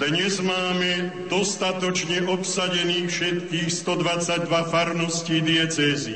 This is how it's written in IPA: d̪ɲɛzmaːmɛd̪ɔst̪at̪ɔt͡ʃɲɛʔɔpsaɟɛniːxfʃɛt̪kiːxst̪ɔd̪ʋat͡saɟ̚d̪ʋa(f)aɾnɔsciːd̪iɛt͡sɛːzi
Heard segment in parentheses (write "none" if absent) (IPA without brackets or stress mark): f